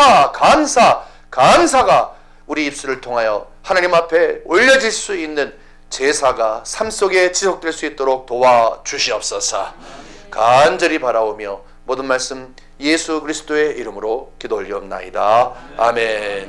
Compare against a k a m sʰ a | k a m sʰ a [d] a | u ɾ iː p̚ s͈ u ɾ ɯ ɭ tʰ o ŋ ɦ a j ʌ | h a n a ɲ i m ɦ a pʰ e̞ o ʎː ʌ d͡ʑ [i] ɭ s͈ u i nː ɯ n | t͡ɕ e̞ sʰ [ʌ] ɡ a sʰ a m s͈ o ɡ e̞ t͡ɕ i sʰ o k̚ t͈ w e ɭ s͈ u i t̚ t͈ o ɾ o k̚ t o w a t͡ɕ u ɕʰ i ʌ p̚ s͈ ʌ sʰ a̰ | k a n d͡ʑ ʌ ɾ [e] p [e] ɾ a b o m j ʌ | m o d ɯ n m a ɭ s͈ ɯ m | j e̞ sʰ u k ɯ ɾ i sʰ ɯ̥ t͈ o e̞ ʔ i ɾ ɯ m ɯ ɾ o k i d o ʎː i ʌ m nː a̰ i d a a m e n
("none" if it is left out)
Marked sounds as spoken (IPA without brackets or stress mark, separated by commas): ɡ, i, a, i, a